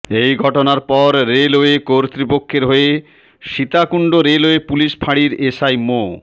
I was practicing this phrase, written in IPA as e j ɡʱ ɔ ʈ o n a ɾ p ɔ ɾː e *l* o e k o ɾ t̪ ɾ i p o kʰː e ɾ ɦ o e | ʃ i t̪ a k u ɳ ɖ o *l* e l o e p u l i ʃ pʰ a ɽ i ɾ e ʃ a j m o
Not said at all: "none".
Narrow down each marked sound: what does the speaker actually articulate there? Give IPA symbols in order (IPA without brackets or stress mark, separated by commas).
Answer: l, ɾ